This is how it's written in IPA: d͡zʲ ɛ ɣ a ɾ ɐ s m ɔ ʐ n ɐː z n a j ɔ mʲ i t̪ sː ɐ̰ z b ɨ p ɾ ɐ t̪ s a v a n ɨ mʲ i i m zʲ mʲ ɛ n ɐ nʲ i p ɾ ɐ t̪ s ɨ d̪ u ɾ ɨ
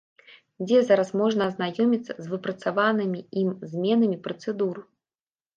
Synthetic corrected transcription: d͡zʲ ɛ z a ɾ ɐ s m ɔ ʐ n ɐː z n a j ɔ mʲ i t̪ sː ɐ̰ z v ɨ p ɾ ɐ t̪ s a v a n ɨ mʲ i i m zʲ mʲ ɛ n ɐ mʲ i p ɾ ɐ t̪ s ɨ d̪ u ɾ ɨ